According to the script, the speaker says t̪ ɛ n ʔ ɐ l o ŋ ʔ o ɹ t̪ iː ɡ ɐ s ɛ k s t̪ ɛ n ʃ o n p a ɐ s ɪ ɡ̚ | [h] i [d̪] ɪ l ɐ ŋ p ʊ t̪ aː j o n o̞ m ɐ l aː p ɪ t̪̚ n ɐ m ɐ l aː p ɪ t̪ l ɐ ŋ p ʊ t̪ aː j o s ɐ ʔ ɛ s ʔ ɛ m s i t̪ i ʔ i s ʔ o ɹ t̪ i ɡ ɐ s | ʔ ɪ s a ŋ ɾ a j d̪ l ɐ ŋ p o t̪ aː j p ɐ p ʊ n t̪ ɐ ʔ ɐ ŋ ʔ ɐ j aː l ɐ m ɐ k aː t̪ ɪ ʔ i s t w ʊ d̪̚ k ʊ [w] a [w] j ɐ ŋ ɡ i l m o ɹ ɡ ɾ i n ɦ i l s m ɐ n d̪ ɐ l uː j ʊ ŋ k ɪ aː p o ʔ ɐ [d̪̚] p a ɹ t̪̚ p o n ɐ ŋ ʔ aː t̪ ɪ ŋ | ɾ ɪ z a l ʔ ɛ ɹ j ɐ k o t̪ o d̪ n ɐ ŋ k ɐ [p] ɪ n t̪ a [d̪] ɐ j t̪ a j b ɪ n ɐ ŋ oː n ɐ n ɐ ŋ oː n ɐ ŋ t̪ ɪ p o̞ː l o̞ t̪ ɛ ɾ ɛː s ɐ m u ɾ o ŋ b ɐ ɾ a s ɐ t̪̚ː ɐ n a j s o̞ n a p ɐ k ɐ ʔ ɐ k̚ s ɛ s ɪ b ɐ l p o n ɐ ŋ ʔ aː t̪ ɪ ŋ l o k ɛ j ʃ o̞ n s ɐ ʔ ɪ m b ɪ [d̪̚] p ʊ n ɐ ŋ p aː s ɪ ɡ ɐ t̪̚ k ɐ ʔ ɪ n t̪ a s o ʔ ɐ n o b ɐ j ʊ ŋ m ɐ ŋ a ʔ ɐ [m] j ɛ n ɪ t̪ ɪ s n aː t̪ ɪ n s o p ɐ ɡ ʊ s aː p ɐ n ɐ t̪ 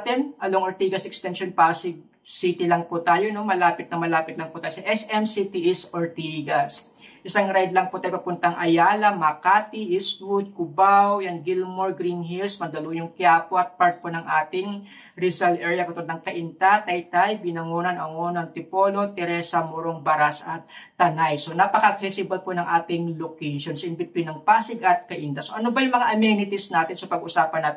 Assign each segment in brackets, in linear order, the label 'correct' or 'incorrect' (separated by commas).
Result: incorrect, incorrect, incorrect, correct, incorrect, incorrect, incorrect, incorrect, correct